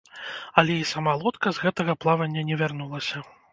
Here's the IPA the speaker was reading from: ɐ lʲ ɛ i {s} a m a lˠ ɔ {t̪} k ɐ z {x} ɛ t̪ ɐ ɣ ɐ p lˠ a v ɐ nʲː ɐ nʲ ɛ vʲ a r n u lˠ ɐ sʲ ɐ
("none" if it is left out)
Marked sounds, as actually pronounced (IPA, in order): s, t̪, ɣ

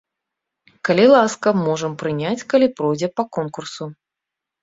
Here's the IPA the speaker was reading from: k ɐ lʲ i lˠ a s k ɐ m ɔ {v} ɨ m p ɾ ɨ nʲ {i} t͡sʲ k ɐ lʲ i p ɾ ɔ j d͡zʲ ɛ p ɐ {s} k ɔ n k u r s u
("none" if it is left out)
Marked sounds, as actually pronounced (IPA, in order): ʐ, a, none

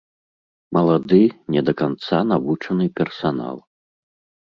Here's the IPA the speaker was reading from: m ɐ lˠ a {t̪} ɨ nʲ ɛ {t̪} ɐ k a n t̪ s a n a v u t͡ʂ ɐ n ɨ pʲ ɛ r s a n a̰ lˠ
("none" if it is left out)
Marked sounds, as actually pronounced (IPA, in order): d̪, d̪

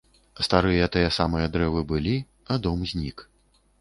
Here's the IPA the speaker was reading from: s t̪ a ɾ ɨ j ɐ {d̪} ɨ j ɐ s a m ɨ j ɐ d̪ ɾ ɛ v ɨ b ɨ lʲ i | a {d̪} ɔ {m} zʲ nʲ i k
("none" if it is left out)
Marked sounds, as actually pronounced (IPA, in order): t̪, d̪, m

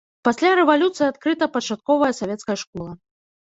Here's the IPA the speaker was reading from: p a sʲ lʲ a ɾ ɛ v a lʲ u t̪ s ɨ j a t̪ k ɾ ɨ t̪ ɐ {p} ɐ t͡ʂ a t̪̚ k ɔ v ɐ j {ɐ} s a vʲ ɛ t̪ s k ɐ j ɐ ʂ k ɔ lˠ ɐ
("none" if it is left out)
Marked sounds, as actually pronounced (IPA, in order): p, ɐ

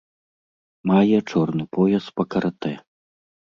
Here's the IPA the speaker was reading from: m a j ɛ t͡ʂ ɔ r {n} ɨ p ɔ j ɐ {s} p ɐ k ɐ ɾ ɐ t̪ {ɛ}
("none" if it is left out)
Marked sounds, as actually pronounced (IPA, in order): n, s, ɛ

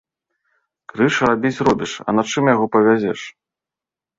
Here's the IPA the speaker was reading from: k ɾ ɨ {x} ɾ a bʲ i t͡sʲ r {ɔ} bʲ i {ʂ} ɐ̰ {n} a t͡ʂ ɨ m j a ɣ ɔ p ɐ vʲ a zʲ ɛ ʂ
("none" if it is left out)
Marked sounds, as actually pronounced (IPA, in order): ʂ, ɔ, ʂ, n

